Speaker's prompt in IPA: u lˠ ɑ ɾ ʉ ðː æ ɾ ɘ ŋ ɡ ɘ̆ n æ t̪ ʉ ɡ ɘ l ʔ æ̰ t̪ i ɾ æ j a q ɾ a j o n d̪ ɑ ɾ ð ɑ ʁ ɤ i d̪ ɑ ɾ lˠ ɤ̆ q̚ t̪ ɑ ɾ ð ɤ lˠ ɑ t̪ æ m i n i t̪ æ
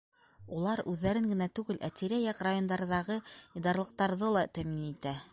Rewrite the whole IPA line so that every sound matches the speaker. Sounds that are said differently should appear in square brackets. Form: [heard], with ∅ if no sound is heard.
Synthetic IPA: u lˠ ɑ ɾ ʉ ðː æ ɾ ɘ ŋ ɡ ɘ̆ n æ t̪ ʉ ɡ ɘ l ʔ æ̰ t̪ i ɾ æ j [ɑ] q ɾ a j o n d̪ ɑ ɾ ð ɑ ʁ ɤ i d̪ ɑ ɾ lˠ ɤ̆ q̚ t̪ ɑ ɾ ð ɤ lˠ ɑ t̪ æ m i n i t̪ æ